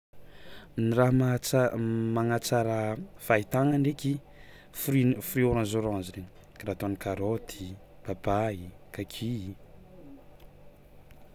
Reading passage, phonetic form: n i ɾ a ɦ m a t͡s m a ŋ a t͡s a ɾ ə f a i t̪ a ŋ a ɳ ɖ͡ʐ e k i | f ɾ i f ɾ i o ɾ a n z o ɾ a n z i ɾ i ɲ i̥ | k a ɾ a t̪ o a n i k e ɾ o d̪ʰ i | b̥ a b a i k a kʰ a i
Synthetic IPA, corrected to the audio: n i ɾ a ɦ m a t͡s m a ŋ a t͡s a ɾ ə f a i t̪ a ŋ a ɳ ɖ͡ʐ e k i | f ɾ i f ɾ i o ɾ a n z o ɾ a n z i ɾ e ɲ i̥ | k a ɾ a t̪ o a n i k a ɾ o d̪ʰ i | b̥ a b a i k a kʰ i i